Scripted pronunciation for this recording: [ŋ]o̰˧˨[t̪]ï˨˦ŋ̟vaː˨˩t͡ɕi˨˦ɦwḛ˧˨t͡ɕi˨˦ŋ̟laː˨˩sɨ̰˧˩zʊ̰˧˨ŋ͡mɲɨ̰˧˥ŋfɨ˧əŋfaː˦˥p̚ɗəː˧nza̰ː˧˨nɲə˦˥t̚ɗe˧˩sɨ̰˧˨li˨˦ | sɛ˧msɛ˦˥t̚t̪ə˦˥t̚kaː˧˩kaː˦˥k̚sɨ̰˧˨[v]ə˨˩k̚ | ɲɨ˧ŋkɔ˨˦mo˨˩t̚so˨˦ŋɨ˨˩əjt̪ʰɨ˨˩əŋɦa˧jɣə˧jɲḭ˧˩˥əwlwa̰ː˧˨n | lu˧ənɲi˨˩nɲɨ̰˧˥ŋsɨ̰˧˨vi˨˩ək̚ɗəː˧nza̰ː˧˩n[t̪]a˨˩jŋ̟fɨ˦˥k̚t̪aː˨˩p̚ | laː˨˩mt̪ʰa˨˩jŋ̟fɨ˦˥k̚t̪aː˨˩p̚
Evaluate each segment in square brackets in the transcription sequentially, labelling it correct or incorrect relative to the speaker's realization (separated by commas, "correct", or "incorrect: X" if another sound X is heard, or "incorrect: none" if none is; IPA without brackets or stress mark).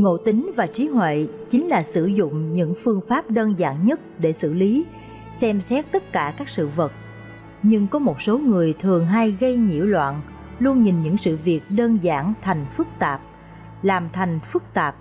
correct, correct, correct, incorrect: t̪ʰ